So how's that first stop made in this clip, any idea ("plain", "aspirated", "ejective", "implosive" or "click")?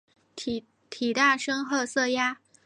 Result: aspirated